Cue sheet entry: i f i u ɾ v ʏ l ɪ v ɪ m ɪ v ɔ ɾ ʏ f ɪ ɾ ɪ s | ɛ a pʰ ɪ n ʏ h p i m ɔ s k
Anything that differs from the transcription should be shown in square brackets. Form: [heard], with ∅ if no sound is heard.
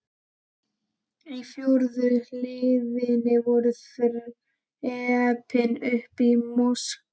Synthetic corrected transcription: i f [j] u ɾ [ð] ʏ l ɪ [ð] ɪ [n] ɪ v ɔ ɾ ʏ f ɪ ɾ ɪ [∅] | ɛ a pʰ ɪ n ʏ h p i m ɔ s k